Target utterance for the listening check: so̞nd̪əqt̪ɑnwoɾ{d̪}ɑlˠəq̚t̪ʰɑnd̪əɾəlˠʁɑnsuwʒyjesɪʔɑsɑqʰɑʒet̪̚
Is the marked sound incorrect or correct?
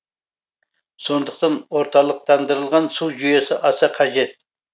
incorrect